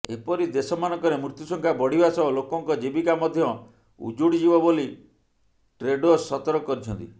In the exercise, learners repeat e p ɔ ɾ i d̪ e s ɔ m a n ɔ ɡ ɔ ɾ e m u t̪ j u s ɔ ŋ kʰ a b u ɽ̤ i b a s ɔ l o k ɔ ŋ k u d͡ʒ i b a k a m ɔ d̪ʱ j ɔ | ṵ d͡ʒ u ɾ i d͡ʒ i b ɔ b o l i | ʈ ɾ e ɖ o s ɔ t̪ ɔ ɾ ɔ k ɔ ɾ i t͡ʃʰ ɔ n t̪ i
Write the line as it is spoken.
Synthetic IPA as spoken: e p ɔ ɾ i d̪ e s ɔ m a n ɔ k ɔ ɾ e m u t̪ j u s ɔ ŋ kʰ a b ɔ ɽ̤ i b a s ɔ l o k ɔ ŋ k ɔ d͡ʒ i b i k a m ɔ d̪ʱ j ɔ | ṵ d͡ʒ u ɽ i d͡ʒ i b ɔ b o l i | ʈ ɾ e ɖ o s ɔ t̪ ɔ ɾ ɔ k ɔ ɾ i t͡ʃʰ ɔ n t̪ i